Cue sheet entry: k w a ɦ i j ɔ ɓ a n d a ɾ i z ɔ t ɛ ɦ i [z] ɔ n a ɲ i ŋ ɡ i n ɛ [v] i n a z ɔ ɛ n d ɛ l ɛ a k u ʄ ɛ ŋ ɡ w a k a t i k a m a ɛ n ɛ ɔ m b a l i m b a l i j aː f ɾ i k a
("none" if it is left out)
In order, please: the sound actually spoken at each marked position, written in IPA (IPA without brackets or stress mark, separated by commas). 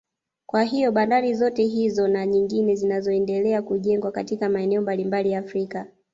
z, z